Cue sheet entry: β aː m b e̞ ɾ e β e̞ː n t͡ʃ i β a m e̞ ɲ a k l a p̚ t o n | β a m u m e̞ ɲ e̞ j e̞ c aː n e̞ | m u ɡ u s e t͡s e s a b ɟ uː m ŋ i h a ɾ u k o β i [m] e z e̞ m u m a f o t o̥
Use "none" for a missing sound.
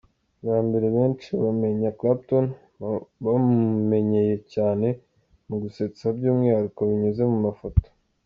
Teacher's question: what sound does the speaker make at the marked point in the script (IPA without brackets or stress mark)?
ɲ